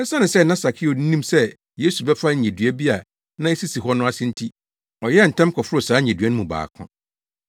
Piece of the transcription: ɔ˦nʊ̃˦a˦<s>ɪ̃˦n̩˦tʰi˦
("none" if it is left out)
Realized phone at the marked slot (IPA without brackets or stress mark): s